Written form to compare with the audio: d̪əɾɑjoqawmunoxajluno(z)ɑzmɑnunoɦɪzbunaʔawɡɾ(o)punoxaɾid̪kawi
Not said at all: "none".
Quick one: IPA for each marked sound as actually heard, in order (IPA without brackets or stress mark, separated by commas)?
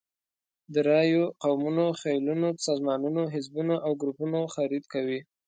s, u